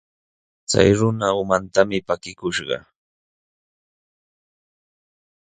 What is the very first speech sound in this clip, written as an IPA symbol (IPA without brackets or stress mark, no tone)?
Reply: t͡s